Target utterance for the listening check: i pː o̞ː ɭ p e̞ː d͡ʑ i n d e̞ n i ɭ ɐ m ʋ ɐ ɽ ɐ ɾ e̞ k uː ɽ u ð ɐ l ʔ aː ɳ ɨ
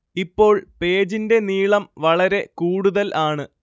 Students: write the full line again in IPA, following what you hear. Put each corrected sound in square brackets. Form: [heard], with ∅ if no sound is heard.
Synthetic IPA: i pː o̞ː ɭ p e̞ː d͡ʑ i n d e̞ n [iː] ɭ ɐ m ʋ ɐ [ɭ] ɐ ɾ e̞ k uː ɽ u ð ɐ l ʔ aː ɳ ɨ